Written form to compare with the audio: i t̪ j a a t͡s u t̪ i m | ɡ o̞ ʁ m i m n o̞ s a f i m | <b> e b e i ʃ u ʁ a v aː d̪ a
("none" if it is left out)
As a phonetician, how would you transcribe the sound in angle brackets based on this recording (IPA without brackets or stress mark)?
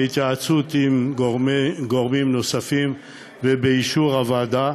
v